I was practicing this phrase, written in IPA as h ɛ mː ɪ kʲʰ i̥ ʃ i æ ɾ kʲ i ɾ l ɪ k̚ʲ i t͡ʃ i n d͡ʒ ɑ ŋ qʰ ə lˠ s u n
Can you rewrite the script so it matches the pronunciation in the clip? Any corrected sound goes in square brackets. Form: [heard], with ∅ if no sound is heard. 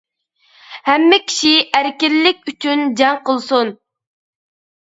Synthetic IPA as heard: h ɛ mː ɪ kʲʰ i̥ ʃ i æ ɾ kʲ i ɾ l ɪ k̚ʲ [y] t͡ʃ [y] n d͡ʒ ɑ ŋ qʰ ə lˠ s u n